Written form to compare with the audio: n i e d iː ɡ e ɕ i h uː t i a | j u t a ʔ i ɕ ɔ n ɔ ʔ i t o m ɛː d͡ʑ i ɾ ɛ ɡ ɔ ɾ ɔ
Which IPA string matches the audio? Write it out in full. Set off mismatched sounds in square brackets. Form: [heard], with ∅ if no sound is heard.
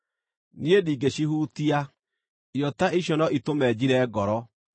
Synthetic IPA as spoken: n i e d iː ɡ e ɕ i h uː t i a | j [ɔ] t a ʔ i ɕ ɔ n ɔ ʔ i t o m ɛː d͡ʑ i ɾ ɛ ɡ ɔ ɾ ɔ